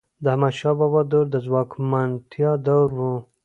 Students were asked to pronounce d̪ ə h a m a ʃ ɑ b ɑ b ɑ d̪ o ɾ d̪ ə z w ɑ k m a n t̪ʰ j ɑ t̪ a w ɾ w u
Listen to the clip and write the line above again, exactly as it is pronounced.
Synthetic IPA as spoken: d̪ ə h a m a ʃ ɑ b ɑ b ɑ d̪ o ɾ d̪ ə z w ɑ k m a n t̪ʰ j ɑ d̪ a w ɾ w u